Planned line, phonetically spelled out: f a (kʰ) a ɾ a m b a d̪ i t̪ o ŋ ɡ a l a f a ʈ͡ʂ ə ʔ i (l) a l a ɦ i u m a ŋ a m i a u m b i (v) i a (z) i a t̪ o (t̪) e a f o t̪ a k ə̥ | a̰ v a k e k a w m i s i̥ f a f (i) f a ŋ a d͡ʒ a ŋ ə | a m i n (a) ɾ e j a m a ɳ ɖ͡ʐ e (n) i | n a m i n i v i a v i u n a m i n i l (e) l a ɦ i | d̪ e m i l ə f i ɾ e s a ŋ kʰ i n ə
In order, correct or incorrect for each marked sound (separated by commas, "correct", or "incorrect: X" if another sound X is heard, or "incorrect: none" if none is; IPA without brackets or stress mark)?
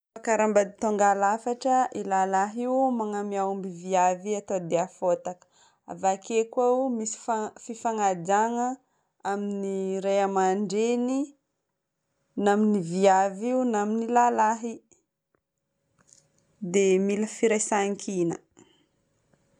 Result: incorrect: k, correct, correct, incorrect: v, incorrect: d̪, correct, incorrect: i, correct, incorrect: a